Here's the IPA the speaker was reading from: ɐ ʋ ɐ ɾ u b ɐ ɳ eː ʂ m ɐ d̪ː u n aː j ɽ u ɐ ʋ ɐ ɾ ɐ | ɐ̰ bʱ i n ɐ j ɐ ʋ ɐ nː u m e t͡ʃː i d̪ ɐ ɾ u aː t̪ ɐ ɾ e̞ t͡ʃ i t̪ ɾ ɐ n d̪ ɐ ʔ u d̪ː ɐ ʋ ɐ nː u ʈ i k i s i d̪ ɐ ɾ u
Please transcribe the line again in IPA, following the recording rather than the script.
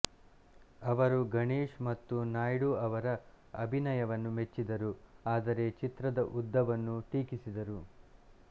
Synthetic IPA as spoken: ɐ ʋ ɐ ɾ u ɡ ɐ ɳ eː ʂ m ɐ t̪ː u n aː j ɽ u ɐ ʋ ɐ ɾ ɐ | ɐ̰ bʱ i n ɐ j ɐ ʋ ɐ nː u m e t͡ʃː i d̪ ɐ ɾ u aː d̪ ɐ ɾ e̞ t͡ʃ i t̪ ɾ ɐ d̪ ɐ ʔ u d̪ː ɐ ʋ ɐ nː u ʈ iː k i s i d̪ ɐ ɾ u